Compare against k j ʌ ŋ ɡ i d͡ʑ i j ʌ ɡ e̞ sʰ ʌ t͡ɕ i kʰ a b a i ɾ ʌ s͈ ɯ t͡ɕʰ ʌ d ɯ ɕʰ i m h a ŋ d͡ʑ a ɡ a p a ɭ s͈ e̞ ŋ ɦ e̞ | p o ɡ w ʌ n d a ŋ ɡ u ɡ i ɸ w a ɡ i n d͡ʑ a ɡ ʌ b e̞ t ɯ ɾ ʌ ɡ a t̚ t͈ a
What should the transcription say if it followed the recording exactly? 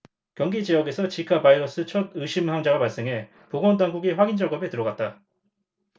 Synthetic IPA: k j ʌ ŋ ɡ i d͡ʑ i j ʌ ɡ e̞ sʰ ʌ t͡ɕ i kʰ a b a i ɾ ʌ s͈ ɯ t͡ɕʰ ʌ d ɯ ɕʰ i m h a ŋ d͡ʑ a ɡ a p a ɭ s͈ e̞ ŋ ɦ e̞ | p o ɡ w ʌ n d a ŋ ɡ u ɡ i ɸ w a ɡ i n d͡ʑ a ɡ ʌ b e̞ t ɯ ɾ ʌ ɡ a t̚ t͈ a